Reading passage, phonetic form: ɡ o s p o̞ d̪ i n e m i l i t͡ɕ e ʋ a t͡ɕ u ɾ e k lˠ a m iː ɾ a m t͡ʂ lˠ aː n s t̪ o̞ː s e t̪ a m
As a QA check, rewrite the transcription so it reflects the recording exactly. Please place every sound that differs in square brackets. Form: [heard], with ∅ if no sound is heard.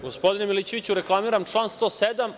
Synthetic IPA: ɡ o s p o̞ d̪ i n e m i l i t͡ɕ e ʋ [i] t͡ɕ u ɾ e k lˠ a m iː ɾ a m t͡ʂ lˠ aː n s t̪ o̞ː s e [d̪] a m